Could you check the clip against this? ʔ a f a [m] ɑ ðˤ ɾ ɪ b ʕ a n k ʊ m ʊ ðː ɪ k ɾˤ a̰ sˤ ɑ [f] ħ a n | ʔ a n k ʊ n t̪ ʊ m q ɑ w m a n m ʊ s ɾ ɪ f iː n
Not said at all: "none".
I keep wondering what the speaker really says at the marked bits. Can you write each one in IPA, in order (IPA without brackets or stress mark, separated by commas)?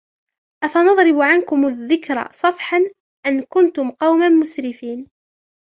n, f